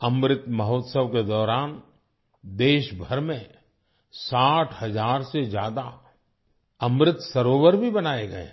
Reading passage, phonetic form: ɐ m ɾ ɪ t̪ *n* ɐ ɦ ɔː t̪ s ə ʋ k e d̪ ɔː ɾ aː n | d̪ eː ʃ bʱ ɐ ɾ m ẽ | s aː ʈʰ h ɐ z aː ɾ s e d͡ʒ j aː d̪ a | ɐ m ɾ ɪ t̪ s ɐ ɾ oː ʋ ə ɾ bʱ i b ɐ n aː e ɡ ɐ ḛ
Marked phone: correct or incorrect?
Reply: incorrect